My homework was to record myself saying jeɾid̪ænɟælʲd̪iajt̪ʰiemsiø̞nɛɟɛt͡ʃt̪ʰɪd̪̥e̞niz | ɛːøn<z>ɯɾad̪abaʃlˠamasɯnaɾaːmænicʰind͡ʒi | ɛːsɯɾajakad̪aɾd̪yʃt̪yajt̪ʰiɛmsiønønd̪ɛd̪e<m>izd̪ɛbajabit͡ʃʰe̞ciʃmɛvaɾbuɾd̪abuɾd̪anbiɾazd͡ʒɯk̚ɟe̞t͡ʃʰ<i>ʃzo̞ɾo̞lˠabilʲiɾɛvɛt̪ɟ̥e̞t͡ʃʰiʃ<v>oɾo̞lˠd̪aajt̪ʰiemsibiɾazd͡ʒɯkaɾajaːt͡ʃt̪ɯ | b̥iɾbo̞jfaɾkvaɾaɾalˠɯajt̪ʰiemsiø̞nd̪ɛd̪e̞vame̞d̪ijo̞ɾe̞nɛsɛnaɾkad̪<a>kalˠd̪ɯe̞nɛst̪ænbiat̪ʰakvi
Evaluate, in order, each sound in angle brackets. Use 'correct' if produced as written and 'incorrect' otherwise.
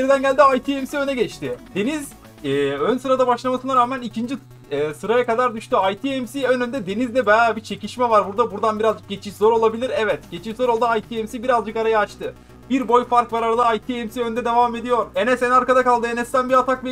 incorrect: s, incorrect: n, correct, incorrect: z, correct

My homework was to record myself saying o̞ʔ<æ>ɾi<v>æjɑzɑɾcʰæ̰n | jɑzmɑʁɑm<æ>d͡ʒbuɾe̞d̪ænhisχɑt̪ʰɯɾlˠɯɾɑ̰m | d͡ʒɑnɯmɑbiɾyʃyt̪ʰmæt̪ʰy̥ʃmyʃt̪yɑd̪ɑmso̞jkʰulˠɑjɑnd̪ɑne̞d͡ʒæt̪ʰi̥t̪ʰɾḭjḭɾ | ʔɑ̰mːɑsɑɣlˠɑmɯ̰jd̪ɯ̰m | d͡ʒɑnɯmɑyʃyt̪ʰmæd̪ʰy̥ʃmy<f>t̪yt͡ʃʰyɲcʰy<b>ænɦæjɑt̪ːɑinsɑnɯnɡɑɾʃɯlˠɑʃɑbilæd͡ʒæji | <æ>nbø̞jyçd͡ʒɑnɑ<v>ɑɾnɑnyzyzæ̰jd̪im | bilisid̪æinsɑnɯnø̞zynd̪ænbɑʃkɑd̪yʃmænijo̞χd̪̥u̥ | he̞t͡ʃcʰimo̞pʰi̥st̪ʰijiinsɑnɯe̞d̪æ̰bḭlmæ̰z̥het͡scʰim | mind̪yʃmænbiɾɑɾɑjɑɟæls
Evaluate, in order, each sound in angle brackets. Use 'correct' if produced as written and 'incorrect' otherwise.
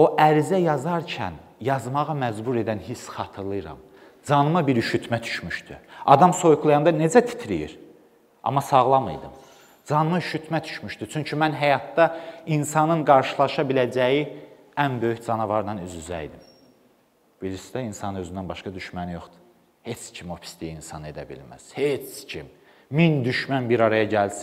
correct, incorrect: z, correct, incorrect: ʃ, incorrect: m, correct, correct

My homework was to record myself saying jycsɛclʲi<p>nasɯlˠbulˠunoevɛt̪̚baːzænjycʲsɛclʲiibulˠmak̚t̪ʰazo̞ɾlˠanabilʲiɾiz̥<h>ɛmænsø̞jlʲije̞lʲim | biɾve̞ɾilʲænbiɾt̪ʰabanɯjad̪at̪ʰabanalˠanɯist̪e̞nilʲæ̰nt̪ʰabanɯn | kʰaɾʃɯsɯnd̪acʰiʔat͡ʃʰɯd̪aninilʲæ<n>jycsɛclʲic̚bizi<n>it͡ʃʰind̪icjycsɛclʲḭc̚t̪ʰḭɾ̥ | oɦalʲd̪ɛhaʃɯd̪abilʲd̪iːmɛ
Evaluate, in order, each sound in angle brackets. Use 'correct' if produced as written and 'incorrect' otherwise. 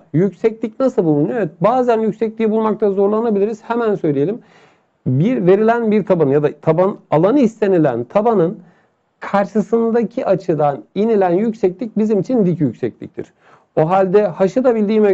incorrect: c, correct, correct, incorrect: m

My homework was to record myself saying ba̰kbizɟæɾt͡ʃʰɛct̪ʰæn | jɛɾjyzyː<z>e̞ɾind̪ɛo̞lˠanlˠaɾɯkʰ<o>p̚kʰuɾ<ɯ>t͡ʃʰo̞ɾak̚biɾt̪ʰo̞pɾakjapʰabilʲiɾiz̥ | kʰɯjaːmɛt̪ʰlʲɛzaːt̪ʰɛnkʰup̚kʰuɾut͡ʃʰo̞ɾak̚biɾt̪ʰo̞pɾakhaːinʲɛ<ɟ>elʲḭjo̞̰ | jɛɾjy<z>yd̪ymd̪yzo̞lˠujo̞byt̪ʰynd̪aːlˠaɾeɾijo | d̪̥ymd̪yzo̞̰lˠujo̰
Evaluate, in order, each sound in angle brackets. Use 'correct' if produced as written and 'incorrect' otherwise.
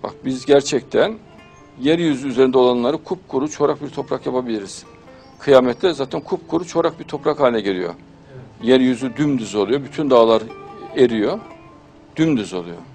correct, incorrect: u, incorrect: u, correct, correct

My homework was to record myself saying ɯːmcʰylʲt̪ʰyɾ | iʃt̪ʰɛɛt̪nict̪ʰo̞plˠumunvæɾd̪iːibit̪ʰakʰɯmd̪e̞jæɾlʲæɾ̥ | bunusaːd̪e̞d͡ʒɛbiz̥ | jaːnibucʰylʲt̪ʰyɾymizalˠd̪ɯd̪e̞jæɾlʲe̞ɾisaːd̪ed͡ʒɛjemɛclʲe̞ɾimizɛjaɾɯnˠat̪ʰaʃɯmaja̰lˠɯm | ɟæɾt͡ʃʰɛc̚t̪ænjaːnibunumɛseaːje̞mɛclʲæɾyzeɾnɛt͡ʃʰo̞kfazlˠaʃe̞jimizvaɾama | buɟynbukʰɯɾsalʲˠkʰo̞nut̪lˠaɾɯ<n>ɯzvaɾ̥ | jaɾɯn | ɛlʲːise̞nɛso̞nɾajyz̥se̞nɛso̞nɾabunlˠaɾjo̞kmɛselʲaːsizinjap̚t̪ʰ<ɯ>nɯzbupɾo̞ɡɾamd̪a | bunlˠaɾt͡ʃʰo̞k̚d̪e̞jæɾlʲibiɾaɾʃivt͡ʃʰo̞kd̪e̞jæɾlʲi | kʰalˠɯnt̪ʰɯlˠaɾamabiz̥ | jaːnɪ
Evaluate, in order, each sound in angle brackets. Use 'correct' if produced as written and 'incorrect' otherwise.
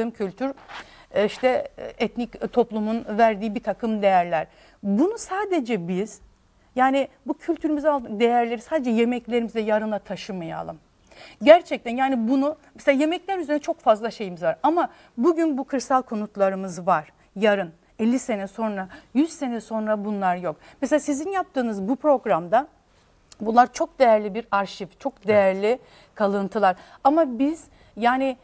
incorrect: m, incorrect: ɯː

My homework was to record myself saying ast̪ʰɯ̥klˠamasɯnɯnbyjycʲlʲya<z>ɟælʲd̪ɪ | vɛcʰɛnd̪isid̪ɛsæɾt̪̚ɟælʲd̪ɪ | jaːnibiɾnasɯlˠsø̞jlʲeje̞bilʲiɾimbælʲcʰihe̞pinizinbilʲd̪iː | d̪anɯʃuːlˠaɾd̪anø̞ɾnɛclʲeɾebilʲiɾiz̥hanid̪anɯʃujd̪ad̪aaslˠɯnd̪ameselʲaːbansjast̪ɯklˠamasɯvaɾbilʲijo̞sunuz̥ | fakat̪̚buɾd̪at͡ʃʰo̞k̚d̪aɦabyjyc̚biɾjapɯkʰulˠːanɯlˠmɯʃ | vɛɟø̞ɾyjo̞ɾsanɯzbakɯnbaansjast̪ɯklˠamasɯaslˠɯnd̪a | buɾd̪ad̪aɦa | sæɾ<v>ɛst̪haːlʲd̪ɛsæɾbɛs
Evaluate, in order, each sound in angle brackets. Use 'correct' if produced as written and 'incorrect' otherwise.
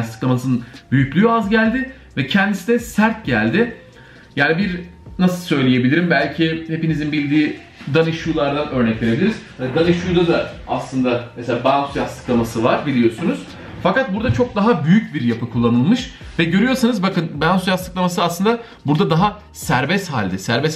correct, incorrect: b

